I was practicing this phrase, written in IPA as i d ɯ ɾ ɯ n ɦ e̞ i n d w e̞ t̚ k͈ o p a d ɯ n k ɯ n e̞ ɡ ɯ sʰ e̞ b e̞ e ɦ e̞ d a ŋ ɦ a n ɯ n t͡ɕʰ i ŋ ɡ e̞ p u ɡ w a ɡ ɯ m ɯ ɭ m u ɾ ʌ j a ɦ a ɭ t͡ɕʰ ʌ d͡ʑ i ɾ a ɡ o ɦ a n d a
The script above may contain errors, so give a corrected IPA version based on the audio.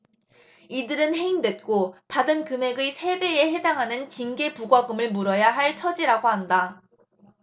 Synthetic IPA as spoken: i d ɯ ɾ ɯ n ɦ e̞ i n d w e̞ t̚ k͈ o p a d ɯ n k ɯ m e̞ ɡ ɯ sʰ e̞ b e̞ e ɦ e̞ d a ŋ ɦ a n ɯ n t͡ɕ i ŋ ɡ e̞ p u ɡ w a ɡ ɯ m ɯ ɭ m u ɾ ʌ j a ɦ a ɭ t͡ɕʰ ʌ d͡ʑ i ɾ a ɡ o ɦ a n d a

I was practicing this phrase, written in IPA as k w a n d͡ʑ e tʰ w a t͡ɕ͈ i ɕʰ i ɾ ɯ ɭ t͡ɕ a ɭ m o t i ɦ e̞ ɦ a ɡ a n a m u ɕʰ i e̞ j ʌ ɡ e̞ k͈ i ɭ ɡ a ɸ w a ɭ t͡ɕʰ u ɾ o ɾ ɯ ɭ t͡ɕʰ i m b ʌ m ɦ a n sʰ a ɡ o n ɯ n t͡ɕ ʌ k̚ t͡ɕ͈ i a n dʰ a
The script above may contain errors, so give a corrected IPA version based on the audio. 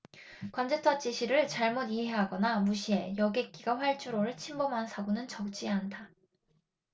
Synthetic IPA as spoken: k w a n d͡ʑ e tʰ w a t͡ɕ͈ i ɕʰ i ɾ ɯ ɭ t͡ɕ a ɭ m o d i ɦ e̞ ɦ a ɡ ʌ n a m u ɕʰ i e̞ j ʌ ɡ e̞ k͈ i ɡ a ɸ w a ɭ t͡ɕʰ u ɾ o ɾ ɯ ɭ t͡ɕʰ i m b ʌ m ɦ a n sʰ a ɡ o n ɯ n t͡ɕ ʌ k̚ t͡ɕ͈ i a n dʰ a

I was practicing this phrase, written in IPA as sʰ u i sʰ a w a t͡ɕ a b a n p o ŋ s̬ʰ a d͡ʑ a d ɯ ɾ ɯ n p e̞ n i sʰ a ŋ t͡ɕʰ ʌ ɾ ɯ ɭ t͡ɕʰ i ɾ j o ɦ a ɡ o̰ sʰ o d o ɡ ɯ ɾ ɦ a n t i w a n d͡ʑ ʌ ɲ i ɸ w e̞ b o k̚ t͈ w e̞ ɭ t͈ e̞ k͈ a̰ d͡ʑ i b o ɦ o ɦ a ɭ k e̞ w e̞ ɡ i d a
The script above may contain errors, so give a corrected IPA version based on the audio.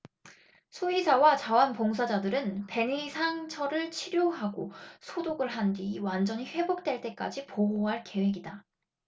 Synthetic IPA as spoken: sʰ u i sʰ a w a t͡ɕ a w a n p o ŋ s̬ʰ a d͡ʑ a d ɯ ɾ ɯ n p e̞ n i sʰ a ŋ t͡ɕʰ ʌ ɾ ɯ ɭ t͡ɕʰ i ɾ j o ɦ a ɡ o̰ sʰ o d o ɡ ɯ ɭ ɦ a n d i w a n d͡ʑ ʌ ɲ i ɸ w e̞ b o k̚ t͈ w e̞ ɭ t͈ e̞ k͈ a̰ d͡ʑ i p o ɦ o ɦ a ɭ k e̞ w e̞ ɡ i d a

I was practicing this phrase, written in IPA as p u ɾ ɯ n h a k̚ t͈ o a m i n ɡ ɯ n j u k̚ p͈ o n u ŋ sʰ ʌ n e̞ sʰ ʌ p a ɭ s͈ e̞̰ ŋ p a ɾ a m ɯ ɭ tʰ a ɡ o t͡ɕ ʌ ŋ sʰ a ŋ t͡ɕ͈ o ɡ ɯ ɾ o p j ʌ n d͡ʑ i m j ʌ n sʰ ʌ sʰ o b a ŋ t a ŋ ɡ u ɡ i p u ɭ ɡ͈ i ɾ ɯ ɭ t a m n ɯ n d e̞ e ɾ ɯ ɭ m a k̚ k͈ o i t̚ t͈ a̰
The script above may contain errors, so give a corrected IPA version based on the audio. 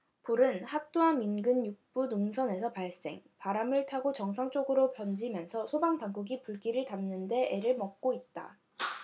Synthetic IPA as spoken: p u ɾ ɯ n h a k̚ t͈ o a m i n ɡ ɯ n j u k̚ p͈ u n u ŋ sʰ ʌ n e̞ sʰ ʌ p a ɭ s͈ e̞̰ ŋ p a ɾ a m ɯ ɭ tʰ a ɡ o t͡ɕ ʌ ŋ sʰ a ŋ t͡ɕ͈ o ɡ ɯ ɾ o p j ʌ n d͡ʑ i m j ʌ n sʰ ʌ sʰ o b a ŋ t a ŋ ɡ u ɡ i p u ɭ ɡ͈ i ɾ ɯ ɭ t a m n ɯ n d e̞ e ɾ ɯ ɭ m ʌ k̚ k͈ o i t̚ t͈ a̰

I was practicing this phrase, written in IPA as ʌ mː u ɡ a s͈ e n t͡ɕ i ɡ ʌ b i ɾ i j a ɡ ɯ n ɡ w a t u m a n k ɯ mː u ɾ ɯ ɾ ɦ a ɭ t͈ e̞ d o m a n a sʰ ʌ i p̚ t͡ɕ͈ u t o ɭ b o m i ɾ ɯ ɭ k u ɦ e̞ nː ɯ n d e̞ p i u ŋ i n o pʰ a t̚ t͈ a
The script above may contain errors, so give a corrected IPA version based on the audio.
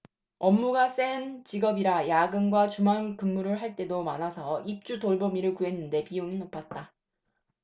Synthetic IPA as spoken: ʌ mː u ɡ a s͈ e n t͡ɕ i ɡ ʌ b i ɾ a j a ɡ ɯ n ɡ w a t͡ɕ u m a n k ɯ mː u ɾ ɯ ɭ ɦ a ɭ t͈ e̞ d o m a n a sʰ ʌ i p̚ t͡ɕ͈ u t o ɭ b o m i ɾ ɯ ɭ k u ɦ e̞ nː ɯ n d e̞ p i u ŋ i n o pʰ a t̚ t͈ a

